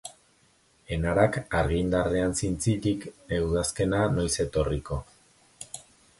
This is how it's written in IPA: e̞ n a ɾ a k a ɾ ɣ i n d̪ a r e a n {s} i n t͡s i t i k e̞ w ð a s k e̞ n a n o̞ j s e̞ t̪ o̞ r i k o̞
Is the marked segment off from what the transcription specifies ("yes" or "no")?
no